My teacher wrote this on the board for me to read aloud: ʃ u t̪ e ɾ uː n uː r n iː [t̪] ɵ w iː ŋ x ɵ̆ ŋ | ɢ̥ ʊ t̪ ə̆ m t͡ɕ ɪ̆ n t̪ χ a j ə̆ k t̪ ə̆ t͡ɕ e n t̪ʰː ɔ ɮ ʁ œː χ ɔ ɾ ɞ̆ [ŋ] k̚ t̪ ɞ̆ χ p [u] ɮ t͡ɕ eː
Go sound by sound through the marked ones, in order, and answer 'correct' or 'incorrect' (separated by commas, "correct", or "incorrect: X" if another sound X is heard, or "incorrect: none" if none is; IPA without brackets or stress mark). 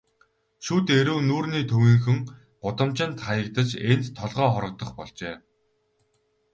incorrect: t̪ʰ, incorrect: none, incorrect: ɔ